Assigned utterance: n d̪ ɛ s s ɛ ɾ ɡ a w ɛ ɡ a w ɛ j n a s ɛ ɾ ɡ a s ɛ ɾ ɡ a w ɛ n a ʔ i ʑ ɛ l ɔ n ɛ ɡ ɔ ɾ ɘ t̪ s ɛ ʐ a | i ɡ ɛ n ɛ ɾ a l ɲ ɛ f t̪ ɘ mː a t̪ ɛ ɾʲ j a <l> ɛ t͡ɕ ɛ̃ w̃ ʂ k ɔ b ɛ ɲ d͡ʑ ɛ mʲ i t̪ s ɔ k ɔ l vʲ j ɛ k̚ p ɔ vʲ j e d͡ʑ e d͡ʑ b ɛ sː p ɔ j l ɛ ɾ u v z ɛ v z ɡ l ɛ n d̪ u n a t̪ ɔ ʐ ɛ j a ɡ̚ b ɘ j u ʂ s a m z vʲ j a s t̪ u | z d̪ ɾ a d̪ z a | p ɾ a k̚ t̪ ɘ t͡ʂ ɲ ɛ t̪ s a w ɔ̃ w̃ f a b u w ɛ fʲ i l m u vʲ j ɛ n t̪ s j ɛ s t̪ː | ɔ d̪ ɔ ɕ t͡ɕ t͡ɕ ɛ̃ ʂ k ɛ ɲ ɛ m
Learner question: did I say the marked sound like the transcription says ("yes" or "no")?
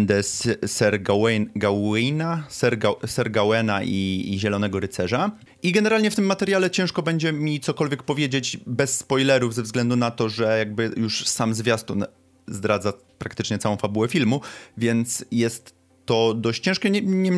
yes